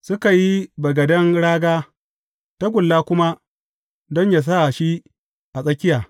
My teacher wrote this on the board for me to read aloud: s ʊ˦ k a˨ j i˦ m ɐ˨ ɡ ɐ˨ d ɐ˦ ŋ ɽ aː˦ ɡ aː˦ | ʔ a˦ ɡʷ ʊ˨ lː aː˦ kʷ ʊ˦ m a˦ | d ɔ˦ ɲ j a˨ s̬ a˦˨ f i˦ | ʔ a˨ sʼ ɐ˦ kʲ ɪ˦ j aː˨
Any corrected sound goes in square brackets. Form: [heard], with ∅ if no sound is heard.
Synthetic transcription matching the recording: s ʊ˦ k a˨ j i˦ [b] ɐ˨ ɡ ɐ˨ d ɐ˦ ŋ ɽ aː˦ ɡ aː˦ | [t] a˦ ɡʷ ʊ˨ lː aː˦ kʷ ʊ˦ m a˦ | d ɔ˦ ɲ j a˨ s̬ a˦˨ [ʃ] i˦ | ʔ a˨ sʼ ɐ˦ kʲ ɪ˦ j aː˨

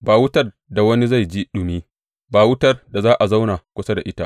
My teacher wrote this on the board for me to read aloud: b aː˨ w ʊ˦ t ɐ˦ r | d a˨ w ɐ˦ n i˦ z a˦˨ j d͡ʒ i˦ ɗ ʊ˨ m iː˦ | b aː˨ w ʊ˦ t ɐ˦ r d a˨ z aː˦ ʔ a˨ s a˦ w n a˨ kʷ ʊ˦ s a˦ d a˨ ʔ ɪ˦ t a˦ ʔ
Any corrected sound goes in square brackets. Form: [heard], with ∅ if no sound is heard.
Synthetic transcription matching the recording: b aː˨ w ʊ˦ t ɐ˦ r | d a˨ w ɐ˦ n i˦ z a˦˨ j d͡ʒ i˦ ɗ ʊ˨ m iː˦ | b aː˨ w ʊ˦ t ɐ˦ r d a˨ z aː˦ ʔ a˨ [z] a˦ w n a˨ kʷ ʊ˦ s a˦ d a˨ ʔ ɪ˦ t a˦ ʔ

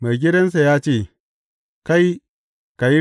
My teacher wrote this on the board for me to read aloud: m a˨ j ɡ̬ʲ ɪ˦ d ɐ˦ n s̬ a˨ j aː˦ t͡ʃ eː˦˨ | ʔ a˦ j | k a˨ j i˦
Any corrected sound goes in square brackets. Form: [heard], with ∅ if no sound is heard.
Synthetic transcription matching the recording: m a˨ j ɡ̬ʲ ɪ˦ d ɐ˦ n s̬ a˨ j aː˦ t͡ʃ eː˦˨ | [k] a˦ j | k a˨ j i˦

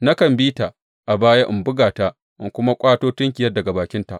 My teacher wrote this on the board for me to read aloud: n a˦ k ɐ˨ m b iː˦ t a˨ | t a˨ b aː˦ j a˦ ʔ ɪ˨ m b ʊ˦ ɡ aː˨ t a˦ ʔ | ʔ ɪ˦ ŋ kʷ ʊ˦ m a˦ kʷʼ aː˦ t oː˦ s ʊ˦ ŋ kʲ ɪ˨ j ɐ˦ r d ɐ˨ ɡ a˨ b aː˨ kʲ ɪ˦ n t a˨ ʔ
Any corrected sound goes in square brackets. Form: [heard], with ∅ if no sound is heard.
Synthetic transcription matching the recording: n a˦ k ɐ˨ m b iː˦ t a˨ | [ʔ] a˨ b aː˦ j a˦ ʔ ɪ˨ m b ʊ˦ ɡ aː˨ t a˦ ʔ | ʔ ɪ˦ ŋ kʷ ʊ˦ m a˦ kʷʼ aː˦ t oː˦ [t] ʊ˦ ŋ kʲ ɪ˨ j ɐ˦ r d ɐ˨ ɡ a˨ b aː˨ kʲ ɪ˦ n t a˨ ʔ

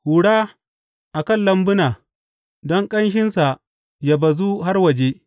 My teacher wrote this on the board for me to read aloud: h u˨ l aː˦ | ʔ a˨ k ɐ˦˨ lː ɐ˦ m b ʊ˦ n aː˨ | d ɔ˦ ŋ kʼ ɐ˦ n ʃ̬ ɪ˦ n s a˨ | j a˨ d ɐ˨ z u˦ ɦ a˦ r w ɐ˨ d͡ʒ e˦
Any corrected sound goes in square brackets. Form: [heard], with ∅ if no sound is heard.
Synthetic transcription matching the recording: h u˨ [ɽ] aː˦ | ʔ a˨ k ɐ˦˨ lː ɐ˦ m b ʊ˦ n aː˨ | d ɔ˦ ŋ kʼ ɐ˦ n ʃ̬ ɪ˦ n s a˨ | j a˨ [b] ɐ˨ z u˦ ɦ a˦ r w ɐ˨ d͡ʒ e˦

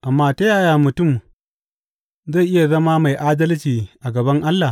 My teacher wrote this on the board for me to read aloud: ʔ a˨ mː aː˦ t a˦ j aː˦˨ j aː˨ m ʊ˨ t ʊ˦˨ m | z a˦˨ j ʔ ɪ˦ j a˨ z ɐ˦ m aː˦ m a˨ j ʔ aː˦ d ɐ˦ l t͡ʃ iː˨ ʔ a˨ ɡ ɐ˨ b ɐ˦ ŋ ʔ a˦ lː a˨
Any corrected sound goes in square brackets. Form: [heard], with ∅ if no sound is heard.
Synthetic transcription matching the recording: ʔ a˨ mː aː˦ t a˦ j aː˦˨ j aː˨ m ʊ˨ t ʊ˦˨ m | z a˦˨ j ʔ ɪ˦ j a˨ z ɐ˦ m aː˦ m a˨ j ʔ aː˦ d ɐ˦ l t͡ʃ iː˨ ʔ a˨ ɡ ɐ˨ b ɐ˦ ŋ ʔ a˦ lː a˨

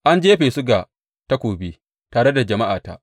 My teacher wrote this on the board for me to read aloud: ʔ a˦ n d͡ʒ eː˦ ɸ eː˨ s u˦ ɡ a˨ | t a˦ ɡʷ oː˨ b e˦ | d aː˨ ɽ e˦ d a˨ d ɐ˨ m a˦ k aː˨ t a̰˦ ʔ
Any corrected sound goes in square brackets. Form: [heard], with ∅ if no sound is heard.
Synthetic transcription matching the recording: ʔ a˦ n d͡ʒ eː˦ ɸ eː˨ s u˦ ɡ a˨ | t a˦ [kʷ] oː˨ b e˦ | [t] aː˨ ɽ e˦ d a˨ [d͡ʒ] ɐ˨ m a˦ [ʔ] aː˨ t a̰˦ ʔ

